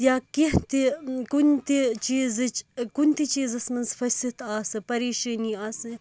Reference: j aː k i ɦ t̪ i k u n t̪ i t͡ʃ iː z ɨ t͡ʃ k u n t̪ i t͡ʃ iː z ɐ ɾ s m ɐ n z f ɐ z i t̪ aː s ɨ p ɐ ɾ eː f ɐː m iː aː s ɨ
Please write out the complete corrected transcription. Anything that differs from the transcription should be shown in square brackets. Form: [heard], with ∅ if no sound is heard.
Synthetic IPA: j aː k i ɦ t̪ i k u n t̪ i t͡ʃ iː z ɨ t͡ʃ k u n t̪ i t͡ʃ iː z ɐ [∅] s m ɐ n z f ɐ [s] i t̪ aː s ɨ p ɐ ɾ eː [ʃ] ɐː [n] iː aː s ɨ